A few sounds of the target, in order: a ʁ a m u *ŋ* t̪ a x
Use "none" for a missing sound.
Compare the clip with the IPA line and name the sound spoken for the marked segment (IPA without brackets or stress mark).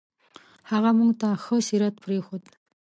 ŋ